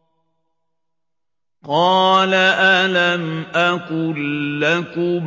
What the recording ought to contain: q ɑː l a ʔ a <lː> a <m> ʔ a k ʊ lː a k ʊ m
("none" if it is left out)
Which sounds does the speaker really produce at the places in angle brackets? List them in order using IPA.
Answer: l, m

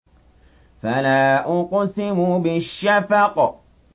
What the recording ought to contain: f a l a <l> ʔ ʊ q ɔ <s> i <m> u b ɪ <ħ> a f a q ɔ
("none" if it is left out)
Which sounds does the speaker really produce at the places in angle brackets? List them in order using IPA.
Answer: none, s, m, ʃ

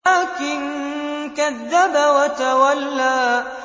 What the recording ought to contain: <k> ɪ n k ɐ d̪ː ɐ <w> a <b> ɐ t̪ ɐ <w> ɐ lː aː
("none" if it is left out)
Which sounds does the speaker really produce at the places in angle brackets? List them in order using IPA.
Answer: k, b, w, w

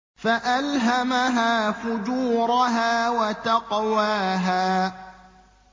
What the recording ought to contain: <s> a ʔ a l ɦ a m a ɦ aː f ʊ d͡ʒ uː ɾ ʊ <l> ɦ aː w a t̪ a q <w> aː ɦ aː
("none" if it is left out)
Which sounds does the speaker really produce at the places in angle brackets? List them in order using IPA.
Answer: f, none, w

